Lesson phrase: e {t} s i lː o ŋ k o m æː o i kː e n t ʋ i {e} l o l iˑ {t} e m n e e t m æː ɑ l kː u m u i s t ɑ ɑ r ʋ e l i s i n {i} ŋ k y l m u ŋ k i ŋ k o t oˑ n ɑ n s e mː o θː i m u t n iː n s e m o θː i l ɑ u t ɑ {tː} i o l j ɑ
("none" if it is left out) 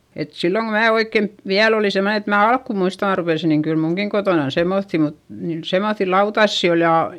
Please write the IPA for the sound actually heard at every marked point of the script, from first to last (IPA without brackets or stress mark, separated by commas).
t, æ, s, i, sː